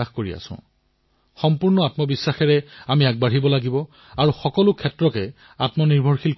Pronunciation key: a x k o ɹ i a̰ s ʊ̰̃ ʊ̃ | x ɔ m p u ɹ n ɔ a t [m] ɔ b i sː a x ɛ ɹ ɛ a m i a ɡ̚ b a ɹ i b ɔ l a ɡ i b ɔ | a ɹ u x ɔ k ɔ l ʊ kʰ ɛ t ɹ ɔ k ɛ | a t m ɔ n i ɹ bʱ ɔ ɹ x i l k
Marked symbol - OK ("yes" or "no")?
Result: yes